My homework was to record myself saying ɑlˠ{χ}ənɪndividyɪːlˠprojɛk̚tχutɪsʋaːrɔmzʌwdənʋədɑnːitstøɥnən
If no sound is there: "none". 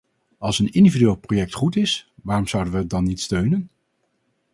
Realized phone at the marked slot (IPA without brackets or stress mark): s